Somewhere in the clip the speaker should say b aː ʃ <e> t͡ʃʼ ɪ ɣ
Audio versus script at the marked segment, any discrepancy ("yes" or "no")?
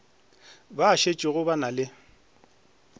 no